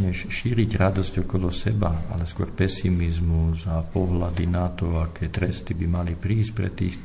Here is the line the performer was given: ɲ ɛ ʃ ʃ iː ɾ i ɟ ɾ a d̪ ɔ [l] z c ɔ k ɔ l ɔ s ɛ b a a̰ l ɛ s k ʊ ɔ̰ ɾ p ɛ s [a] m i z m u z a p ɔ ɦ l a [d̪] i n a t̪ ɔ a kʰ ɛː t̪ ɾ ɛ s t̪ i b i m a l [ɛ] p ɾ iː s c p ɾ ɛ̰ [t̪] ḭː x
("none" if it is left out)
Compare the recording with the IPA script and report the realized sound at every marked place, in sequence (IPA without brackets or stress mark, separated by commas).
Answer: none, i, d̪, i, t̪